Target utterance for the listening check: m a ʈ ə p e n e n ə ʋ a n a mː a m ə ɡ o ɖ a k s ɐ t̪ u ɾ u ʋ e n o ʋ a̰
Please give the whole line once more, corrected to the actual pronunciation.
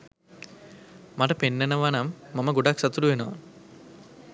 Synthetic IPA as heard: m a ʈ ə p e nː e n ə ʋ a n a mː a m ə ɡ o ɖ a k s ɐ t̪ u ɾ u ʋ e n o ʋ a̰